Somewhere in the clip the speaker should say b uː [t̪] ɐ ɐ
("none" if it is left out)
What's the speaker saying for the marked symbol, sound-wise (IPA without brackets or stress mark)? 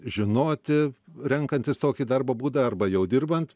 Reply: d̪